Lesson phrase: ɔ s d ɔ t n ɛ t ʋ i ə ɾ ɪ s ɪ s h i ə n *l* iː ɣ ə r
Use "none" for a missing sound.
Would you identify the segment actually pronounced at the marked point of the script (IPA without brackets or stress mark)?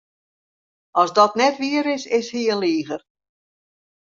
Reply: l